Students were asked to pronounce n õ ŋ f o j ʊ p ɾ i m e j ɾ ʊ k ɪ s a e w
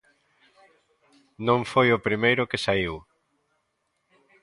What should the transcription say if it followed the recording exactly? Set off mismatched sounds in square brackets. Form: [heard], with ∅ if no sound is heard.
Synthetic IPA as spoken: n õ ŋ f o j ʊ p ɾ i m e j ɾ ʊ k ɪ s a [i] w